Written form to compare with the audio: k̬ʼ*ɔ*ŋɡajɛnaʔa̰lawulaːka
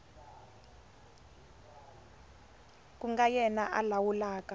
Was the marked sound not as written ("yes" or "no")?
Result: yes